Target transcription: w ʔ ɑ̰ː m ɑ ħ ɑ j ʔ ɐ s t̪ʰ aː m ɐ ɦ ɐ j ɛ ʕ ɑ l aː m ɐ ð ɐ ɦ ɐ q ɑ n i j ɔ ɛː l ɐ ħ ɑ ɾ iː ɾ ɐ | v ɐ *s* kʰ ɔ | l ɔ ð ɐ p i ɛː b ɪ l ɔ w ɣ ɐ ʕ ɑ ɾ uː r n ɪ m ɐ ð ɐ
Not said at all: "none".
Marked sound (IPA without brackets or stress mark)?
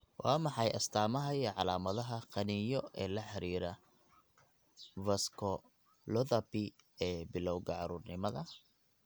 s